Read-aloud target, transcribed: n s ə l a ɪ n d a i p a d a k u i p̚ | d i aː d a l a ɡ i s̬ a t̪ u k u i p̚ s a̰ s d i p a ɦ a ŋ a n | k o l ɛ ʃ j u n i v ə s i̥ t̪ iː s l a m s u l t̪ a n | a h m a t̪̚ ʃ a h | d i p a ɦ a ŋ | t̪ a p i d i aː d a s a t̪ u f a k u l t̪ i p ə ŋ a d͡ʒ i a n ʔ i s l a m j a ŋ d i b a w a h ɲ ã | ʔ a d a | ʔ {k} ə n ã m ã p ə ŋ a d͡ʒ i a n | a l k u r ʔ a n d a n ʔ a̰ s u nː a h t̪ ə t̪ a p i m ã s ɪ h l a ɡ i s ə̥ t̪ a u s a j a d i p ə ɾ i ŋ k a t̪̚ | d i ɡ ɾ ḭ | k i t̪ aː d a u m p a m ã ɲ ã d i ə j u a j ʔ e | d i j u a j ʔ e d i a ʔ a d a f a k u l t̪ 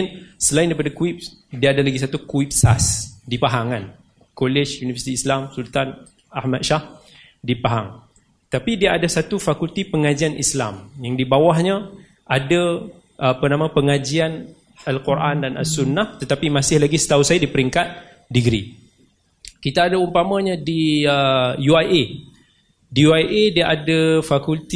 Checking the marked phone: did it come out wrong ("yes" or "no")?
yes